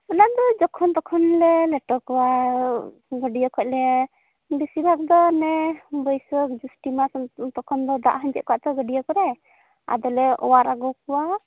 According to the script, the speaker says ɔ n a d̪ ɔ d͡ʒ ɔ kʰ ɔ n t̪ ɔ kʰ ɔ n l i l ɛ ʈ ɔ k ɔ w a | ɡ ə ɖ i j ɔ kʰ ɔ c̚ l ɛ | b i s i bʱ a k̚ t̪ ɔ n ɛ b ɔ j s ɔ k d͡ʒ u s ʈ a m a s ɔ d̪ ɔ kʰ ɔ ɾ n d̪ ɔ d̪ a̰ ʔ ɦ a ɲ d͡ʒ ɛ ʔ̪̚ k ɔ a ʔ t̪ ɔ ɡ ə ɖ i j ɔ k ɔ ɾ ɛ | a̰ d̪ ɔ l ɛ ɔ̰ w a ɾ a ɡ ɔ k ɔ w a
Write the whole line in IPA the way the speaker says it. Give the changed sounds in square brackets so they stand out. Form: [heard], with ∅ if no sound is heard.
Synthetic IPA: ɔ n a d̪ ɔ d͡ʒ ɔ kʰ ɔ n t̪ ɔ kʰ ɔ n l [ɛ] l ɛ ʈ ɔ k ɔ w a | ɡ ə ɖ i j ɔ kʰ ɔ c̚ l ɛ | b i s i bʱ a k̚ [d̪] ɔ n ɛ b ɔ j s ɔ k d͡ʒ u s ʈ [i] m a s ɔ [t̪] ɔ kʰ ɔ [∅] n d̪ ɔ d̪ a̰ ʔ ɦ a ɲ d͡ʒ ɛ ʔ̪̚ k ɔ a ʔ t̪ ɔ ɡ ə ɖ i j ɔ k ɔ ɾ ɛ | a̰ d̪ ɔ l ɛ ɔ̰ w a ɾ a ɡ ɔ k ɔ w a